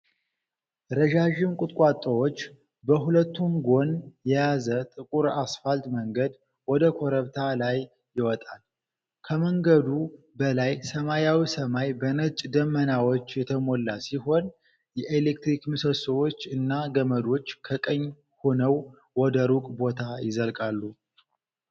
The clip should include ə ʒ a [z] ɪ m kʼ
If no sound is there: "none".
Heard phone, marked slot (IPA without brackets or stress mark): ʒ